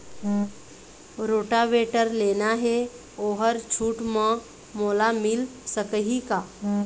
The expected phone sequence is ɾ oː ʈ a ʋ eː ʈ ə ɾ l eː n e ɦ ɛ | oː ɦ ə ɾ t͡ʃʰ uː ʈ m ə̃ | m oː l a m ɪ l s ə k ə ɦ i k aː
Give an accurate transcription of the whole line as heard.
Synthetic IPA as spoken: ɾ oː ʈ a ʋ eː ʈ ə ɾ l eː n a ɦ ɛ | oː ɦ ə ɾ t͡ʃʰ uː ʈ m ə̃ | m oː l a m ɪ l s ə k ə ɦ i k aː